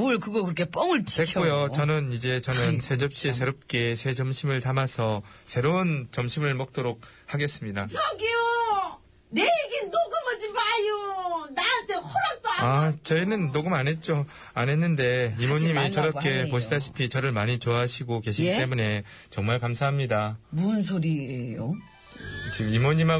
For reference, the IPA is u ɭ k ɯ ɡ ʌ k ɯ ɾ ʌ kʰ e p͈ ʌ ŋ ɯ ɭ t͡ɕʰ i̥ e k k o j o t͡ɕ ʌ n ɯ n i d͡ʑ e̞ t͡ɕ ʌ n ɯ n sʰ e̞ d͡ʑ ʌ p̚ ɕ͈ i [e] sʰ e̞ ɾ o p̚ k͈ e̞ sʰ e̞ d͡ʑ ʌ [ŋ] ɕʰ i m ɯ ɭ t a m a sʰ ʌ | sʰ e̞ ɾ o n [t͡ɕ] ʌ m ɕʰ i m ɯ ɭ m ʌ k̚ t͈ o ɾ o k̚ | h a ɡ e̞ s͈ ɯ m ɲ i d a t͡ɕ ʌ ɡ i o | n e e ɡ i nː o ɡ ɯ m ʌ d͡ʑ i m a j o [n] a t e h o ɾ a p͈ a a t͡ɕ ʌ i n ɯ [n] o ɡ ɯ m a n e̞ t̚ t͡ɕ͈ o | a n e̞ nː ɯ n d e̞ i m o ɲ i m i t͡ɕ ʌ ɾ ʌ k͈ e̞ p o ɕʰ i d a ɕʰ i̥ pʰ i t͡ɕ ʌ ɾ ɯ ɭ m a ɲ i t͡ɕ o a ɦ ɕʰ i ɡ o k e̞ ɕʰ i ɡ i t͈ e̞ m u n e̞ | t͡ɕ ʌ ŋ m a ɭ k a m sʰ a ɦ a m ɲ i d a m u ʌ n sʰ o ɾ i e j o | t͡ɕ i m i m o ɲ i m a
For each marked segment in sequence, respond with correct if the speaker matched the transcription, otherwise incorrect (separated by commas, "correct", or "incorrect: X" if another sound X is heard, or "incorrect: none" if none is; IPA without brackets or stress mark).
correct, incorrect: m, correct, correct, incorrect: nː